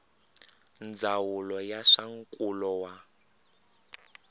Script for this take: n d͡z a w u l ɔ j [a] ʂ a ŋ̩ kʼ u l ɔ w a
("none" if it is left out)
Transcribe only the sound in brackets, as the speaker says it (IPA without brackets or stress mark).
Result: a